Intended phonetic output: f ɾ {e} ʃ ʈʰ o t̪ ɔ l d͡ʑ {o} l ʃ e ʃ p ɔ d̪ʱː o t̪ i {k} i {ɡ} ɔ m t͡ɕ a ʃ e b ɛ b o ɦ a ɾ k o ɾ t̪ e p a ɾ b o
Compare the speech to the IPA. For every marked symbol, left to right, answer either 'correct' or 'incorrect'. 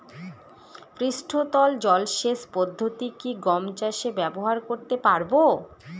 incorrect: i, incorrect: ɔ, correct, correct

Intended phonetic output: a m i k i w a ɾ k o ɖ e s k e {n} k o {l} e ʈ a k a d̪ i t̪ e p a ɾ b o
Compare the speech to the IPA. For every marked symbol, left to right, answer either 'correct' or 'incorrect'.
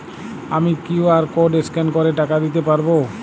correct, incorrect: ɾ

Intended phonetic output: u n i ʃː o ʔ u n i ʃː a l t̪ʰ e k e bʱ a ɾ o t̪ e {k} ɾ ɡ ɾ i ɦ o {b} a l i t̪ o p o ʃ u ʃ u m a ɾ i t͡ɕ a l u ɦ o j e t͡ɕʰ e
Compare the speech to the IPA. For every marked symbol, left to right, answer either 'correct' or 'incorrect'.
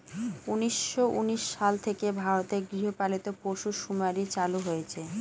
incorrect: none, incorrect: p

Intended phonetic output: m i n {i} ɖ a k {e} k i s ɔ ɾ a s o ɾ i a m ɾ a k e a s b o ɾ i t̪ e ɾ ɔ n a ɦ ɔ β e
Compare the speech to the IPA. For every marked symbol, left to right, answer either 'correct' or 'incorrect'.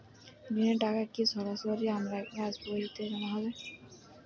incorrect: e, incorrect: a

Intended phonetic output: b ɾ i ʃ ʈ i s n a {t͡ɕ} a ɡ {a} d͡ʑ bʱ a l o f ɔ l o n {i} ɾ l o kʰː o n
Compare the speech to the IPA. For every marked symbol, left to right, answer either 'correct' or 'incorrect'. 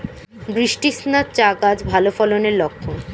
correct, correct, incorrect: e

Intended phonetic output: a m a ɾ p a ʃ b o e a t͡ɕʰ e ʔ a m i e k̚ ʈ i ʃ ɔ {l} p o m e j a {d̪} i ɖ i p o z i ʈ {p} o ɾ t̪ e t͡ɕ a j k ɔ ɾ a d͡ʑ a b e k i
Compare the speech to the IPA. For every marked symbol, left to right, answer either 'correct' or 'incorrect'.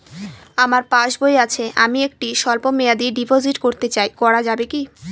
correct, correct, incorrect: k

